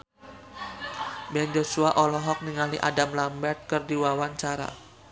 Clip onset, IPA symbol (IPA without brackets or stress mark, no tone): b